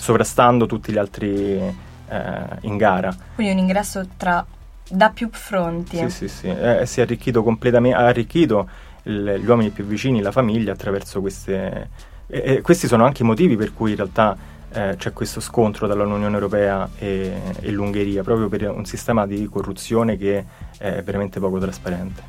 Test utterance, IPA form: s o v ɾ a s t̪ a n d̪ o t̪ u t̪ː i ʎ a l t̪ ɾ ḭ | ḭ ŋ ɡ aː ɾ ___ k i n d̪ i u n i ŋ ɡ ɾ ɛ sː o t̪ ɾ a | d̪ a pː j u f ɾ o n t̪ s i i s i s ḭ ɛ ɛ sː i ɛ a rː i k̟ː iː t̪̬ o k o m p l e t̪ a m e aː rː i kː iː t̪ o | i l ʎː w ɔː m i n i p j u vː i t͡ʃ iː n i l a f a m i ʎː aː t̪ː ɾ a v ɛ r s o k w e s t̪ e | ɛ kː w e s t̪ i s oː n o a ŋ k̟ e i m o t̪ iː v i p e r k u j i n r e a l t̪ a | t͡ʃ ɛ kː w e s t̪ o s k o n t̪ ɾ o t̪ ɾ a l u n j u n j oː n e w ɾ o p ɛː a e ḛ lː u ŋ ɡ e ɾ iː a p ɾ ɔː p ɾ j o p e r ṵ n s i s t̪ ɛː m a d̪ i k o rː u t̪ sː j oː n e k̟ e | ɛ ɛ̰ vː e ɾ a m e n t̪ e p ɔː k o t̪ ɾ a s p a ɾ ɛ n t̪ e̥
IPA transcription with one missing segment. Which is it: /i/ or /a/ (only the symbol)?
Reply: a